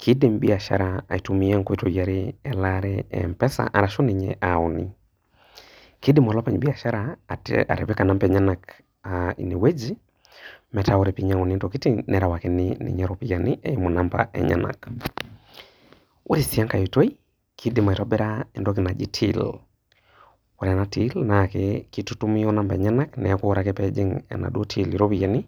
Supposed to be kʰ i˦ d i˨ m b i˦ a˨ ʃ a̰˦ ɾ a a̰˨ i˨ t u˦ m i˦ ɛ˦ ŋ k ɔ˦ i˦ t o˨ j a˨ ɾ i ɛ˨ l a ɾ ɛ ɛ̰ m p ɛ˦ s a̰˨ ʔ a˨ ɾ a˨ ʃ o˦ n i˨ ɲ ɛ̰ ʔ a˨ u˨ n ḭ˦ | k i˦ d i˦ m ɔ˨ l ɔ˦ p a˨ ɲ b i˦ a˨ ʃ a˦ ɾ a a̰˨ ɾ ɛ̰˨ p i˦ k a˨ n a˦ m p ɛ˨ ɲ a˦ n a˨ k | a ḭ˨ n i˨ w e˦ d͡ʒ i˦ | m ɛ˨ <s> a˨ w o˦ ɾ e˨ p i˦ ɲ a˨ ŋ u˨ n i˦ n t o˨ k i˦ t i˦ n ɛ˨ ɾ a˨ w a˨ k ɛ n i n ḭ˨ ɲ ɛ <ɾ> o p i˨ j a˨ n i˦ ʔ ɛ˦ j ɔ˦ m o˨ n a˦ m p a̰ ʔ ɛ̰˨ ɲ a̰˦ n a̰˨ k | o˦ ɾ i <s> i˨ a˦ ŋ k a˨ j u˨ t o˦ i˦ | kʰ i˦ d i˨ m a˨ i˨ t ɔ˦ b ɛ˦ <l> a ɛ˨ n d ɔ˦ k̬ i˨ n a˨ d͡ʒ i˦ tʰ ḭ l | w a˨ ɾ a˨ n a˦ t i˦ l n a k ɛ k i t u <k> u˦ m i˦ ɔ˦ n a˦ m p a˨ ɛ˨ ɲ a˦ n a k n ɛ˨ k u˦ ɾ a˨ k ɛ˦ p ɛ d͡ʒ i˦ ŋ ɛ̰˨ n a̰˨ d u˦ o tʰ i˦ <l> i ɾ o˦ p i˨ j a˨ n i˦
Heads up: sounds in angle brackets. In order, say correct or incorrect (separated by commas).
incorrect, correct, correct, incorrect, incorrect, correct